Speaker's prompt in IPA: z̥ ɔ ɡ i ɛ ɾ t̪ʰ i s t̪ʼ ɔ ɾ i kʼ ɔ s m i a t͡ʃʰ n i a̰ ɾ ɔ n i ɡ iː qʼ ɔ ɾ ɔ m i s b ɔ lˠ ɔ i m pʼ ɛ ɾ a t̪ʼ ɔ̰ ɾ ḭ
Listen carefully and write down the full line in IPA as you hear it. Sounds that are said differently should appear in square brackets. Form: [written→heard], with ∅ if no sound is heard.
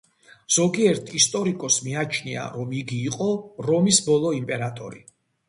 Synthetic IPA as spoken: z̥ ɔ ɡ i ɛ ɾ t̪ʰ i s t̪ʼ ɔ ɾ i kʼ ɔ s m i a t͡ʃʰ n i a̰ ɾ ɔ [n→m] i ɡ iː qʼ ɔ ɾ ɔ m i s b ɔ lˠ ɔ i m pʼ ɛ ɾ a t̪ʼ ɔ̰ ɾ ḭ